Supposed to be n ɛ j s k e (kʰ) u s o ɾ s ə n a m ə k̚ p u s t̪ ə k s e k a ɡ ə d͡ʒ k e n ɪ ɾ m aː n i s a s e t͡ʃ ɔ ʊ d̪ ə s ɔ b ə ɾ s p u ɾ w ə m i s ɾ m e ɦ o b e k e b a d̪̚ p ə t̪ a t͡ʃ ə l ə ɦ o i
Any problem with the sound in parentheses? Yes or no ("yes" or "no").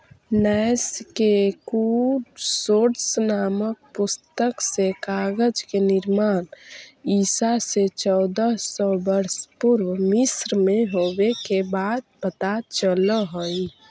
yes